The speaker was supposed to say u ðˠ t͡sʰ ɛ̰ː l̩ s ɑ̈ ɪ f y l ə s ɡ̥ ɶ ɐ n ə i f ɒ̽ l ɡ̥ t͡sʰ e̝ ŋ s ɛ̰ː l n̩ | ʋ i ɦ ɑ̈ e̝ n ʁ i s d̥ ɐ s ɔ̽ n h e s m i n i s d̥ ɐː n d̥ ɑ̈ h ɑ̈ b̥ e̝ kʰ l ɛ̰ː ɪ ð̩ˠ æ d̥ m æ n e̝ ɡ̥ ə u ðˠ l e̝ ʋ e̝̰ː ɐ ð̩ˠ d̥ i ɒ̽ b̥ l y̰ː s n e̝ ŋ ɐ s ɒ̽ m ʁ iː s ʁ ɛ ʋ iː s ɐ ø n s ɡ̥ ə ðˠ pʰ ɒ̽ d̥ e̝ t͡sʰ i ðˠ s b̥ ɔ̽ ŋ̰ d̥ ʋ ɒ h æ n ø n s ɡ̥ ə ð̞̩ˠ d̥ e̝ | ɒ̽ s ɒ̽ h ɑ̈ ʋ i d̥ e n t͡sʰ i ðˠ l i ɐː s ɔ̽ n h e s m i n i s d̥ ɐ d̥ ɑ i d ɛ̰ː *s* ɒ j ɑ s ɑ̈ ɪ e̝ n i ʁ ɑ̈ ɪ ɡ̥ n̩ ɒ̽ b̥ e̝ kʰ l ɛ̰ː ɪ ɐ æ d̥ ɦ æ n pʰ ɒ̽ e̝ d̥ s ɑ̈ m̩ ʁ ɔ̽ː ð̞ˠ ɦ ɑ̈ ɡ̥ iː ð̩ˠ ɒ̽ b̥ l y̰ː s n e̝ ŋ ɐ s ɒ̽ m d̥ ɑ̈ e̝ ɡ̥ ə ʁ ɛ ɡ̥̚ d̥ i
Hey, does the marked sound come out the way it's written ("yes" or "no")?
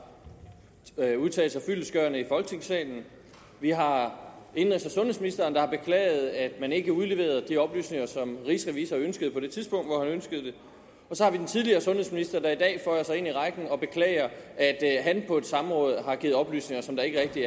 no